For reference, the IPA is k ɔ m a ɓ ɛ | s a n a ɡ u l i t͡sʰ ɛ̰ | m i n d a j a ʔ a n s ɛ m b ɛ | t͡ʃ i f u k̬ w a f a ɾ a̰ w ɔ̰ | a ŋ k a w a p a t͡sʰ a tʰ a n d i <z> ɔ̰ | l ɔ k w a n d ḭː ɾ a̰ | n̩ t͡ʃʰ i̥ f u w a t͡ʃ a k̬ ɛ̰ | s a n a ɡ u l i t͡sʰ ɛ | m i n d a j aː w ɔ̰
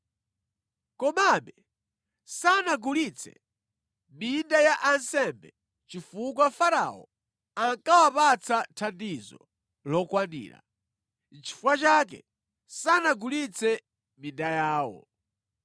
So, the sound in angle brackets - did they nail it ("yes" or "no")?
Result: yes